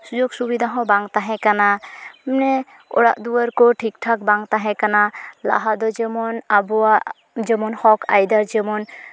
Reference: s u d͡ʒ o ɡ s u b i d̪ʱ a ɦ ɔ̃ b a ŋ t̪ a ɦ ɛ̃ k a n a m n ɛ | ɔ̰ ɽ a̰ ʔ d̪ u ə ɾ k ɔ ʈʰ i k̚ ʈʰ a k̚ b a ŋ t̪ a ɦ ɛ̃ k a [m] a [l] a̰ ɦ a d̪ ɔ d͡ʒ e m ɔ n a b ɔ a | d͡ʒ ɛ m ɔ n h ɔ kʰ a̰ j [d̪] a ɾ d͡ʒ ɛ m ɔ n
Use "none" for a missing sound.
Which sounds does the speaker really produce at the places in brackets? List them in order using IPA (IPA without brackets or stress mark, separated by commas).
n, l, d̪